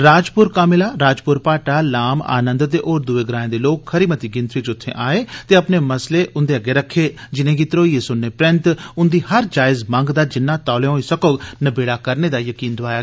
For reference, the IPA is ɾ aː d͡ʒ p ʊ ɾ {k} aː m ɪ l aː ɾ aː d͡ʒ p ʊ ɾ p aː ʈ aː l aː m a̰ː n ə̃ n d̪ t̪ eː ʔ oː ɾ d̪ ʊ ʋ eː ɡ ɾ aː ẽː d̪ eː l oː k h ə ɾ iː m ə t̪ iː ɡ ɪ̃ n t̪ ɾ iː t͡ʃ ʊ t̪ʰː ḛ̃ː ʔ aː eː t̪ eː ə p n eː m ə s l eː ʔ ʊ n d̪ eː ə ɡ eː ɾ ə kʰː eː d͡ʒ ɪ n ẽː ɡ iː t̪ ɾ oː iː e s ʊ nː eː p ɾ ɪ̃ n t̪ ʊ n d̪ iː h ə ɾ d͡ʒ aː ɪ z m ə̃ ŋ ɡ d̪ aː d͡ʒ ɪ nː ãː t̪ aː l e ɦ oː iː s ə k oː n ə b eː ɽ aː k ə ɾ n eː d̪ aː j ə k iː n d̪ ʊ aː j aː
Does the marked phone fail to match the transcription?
no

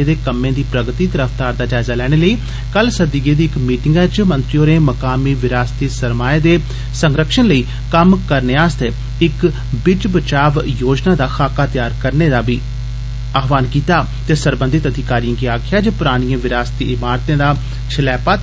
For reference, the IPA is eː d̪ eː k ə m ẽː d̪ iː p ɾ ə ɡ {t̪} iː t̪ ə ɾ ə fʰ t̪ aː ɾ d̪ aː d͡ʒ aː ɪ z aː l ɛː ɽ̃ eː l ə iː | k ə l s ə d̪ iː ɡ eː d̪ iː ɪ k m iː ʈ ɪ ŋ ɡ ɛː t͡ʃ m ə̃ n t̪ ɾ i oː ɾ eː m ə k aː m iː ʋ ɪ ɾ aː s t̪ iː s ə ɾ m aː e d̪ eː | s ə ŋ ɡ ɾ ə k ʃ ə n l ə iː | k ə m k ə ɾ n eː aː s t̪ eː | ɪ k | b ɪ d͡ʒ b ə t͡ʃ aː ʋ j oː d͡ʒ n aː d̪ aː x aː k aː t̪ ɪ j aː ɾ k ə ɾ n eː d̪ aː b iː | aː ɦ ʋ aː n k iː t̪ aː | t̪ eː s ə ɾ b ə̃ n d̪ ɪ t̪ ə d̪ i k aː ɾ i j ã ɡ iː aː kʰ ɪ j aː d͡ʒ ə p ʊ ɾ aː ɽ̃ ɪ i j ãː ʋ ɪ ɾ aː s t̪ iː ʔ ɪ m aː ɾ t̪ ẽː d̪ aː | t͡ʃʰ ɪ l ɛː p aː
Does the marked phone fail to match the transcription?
no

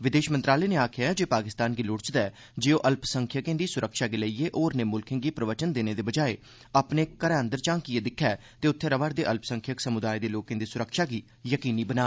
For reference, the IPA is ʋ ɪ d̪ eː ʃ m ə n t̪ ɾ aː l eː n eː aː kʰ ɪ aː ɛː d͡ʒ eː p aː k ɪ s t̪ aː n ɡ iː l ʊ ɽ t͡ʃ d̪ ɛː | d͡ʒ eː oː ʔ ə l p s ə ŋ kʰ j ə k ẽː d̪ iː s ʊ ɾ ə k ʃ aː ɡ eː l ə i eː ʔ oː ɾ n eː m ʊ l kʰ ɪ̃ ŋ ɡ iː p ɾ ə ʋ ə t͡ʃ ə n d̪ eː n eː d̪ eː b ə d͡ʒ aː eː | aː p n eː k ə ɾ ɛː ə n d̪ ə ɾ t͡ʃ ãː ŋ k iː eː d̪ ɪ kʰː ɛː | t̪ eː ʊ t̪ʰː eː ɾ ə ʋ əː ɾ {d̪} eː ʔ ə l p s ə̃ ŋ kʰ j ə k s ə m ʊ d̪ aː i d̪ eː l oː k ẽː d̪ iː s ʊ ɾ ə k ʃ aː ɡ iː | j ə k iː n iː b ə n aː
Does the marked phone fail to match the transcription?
no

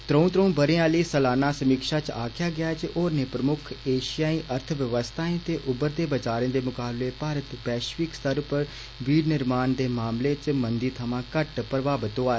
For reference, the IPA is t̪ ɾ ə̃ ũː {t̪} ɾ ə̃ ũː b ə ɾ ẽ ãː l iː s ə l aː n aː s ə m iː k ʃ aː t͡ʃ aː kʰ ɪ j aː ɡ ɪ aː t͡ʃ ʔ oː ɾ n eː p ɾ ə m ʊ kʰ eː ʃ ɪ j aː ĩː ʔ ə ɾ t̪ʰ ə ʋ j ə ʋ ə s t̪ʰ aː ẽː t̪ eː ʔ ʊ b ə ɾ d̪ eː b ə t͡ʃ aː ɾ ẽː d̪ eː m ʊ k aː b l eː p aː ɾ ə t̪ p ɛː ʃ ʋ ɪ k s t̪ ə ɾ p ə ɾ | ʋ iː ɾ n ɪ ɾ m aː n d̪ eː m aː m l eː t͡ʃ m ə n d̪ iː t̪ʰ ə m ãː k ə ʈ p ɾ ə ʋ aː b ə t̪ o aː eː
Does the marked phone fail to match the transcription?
no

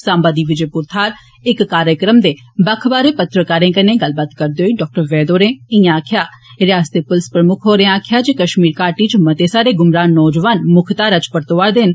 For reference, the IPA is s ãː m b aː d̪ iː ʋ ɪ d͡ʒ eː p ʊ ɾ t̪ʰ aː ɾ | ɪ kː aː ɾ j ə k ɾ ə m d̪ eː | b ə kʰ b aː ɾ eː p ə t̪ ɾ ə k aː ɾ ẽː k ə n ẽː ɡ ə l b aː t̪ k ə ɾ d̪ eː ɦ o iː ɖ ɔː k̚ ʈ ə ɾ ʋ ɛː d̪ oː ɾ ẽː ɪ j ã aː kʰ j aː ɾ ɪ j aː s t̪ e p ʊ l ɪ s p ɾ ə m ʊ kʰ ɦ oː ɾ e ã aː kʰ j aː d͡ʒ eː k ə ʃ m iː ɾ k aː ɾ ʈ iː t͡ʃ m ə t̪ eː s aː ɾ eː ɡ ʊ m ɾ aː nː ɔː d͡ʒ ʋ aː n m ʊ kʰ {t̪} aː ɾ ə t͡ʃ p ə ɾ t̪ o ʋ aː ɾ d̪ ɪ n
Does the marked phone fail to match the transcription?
no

